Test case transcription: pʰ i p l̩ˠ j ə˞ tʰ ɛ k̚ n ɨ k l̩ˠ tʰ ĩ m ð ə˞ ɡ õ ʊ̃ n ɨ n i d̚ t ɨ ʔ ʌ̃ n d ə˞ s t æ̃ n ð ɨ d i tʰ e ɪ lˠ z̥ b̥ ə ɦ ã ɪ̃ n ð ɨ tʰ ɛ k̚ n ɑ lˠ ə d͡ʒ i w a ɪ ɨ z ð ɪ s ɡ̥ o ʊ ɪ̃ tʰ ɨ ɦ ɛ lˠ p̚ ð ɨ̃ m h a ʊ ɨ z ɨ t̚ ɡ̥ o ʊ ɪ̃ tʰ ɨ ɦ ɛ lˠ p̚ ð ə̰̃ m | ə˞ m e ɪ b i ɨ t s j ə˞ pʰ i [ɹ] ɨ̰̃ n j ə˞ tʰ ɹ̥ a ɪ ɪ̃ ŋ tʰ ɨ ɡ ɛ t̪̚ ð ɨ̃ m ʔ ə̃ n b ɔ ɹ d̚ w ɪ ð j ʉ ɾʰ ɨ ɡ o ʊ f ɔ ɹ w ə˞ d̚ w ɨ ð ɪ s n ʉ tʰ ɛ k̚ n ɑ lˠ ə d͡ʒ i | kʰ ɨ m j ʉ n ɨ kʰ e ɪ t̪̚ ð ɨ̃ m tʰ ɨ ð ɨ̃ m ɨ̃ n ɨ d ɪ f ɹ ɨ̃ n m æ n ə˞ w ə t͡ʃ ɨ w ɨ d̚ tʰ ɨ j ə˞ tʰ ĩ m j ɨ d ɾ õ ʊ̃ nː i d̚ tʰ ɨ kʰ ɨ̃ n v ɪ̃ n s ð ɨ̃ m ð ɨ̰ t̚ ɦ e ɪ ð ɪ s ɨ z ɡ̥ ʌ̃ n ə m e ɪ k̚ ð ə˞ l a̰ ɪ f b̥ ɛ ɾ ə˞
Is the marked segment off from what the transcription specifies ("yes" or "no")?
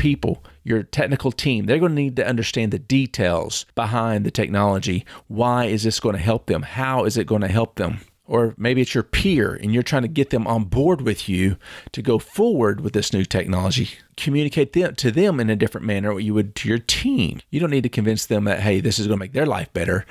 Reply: no